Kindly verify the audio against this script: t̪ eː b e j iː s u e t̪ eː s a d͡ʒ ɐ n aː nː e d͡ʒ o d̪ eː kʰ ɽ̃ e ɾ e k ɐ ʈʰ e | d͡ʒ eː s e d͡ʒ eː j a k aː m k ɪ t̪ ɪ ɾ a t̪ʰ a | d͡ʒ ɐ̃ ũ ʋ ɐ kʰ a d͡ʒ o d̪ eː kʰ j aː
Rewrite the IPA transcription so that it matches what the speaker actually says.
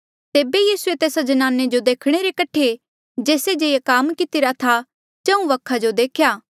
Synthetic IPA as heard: t̪ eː b e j iː s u e t̪ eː s a d͡ʒ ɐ n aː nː e d͡ʒ o d̪ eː kʰ ɽ̃ e ɾ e k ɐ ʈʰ e | d͡ʒ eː s e d͡ʒ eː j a k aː m k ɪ t̪ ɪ ɾ a t̪ʰ a | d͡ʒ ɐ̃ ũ ʋ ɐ kʰ a d͡ʒ o d̪ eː kʰ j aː